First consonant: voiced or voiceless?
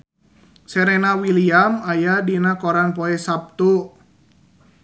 voiceless